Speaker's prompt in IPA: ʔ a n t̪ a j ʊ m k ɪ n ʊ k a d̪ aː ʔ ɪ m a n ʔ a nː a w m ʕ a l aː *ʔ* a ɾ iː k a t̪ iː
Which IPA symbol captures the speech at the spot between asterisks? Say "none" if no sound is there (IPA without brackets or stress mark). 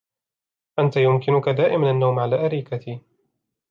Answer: ʔ